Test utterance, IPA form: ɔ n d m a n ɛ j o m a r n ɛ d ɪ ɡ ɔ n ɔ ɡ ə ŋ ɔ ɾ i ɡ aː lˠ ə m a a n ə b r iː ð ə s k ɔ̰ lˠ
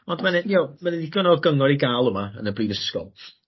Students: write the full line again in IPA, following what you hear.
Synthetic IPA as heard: ɔ n d m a n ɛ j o m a n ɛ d i ɡ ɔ n ɔ ɡ ə ŋ ɔ ɾ i ɡ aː lˠ ə m a ə n ə b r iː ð ə s k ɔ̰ lˠ

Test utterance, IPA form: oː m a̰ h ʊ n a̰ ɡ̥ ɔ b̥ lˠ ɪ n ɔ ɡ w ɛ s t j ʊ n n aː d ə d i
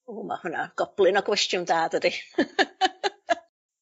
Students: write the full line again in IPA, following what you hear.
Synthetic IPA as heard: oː m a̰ h ʊ n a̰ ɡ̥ ɔ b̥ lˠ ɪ n ɔ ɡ w ɛ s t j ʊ n d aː d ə d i

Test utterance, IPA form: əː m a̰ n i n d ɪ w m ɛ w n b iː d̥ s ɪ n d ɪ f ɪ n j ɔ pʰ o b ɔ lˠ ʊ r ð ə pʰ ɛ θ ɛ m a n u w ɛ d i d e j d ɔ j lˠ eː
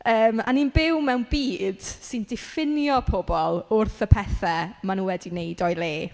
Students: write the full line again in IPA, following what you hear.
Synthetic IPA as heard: əː m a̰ n i n b ɪ w m ɛ w n b iː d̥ s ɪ n d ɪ f ɪ n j ɔ pʰ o b ɔ lˠ ʊ r θ ə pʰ ɛ θ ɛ m a n u w ɛ d i n e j d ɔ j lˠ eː

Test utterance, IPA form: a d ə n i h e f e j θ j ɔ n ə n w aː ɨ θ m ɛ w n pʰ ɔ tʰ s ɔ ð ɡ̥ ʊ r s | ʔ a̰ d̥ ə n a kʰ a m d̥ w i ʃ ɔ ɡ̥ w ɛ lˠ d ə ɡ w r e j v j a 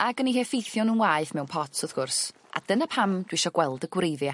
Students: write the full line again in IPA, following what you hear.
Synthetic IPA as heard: a ɡ ə n i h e f e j θ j ɔ n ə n w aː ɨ θ m ɛ w n pʰ ɔ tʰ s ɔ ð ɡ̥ ʊ r s | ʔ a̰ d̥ ə n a pʰ a m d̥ w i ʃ ɔ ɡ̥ w ɛ lˠ d ə ɡ w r e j ð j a

